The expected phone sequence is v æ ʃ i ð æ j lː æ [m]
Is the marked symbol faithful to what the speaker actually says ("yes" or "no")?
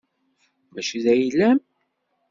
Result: yes